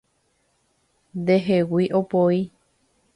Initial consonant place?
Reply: alveolar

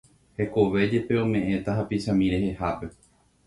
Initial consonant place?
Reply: glottal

